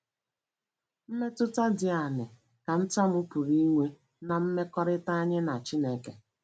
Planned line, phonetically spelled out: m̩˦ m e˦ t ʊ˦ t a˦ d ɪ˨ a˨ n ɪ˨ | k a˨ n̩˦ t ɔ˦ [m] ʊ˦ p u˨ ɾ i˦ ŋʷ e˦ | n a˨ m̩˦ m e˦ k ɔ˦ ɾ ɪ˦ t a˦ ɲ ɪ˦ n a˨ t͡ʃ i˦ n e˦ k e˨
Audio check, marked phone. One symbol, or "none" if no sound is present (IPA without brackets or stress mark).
m